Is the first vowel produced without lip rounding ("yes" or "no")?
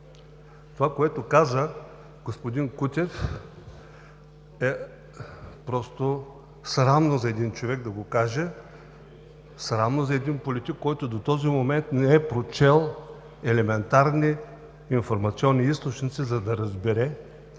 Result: no